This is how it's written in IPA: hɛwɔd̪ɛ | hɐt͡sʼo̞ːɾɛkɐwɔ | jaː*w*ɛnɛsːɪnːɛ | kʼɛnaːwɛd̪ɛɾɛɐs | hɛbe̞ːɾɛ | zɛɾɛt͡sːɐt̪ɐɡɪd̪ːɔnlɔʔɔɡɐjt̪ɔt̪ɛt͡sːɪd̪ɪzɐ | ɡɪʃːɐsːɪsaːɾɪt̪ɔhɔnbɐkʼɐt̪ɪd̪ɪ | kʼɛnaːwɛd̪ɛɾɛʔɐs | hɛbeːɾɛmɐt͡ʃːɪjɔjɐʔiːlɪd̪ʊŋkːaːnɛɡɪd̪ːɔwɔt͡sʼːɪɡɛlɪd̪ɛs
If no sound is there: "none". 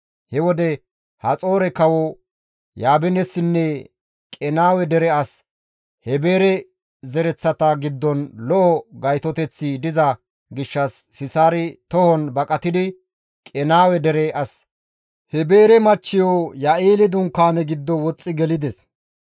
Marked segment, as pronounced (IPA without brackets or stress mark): b